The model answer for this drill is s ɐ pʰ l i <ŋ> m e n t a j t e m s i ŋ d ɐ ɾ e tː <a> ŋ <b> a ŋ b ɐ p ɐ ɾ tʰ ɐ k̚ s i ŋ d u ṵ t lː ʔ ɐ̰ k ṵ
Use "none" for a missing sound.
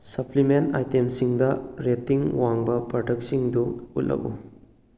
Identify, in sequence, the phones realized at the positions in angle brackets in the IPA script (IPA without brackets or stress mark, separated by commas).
none, i, w